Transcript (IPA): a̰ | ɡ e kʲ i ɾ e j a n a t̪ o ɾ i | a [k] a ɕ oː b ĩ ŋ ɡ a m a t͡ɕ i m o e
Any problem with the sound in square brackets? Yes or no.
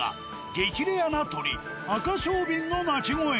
no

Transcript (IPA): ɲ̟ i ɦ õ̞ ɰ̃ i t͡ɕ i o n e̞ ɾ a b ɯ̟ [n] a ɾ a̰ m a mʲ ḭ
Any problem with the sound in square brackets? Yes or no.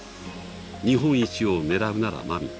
no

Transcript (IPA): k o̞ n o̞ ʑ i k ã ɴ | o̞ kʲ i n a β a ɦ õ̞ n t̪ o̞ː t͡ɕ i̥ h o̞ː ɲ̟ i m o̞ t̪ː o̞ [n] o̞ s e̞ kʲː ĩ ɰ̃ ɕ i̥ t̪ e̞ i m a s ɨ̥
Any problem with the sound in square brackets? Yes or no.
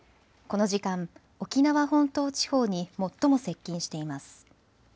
yes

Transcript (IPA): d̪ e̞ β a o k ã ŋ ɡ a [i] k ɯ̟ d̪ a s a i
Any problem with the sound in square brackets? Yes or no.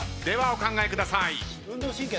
yes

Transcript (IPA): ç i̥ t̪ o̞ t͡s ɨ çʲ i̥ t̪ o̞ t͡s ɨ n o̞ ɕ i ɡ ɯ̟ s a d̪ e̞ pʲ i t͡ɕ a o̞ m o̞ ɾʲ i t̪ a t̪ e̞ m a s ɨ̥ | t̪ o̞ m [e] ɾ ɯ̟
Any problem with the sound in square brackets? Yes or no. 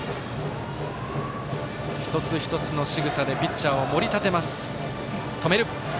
no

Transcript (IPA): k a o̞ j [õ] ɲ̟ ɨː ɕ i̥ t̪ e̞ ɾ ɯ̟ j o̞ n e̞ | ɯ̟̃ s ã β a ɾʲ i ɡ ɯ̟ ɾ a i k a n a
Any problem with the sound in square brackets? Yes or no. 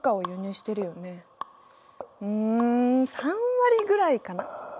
yes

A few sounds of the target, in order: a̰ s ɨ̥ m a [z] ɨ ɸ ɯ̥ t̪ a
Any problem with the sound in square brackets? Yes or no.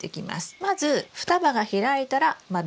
no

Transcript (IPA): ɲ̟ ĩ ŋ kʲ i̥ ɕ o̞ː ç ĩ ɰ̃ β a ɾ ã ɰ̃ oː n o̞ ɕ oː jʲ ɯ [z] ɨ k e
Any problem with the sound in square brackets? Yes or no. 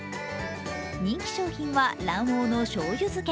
no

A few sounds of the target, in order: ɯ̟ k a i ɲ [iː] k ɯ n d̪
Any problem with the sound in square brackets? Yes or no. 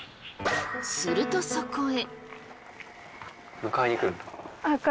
yes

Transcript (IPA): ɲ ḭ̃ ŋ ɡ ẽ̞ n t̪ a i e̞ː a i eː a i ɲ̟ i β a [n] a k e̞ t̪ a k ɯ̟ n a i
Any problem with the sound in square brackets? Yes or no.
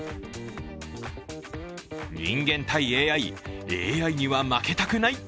yes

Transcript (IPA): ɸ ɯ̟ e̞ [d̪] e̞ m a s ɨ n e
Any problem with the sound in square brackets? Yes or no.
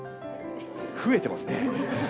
yes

